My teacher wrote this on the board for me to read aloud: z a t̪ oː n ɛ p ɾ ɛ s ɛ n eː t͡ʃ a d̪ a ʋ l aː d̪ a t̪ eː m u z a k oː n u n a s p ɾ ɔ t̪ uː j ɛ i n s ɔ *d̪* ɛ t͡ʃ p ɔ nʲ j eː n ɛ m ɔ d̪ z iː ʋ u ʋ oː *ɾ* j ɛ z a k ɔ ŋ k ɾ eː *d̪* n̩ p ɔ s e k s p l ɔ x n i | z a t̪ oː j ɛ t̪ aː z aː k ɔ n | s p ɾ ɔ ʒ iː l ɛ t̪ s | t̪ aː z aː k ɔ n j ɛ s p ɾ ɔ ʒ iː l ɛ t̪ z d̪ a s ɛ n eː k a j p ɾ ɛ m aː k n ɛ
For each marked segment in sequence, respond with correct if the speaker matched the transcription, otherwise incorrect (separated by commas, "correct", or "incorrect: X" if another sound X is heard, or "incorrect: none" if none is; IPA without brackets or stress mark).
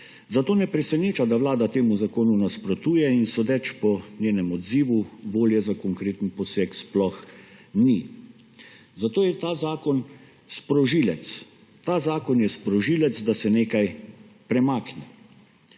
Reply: correct, incorrect: l, incorrect: t̪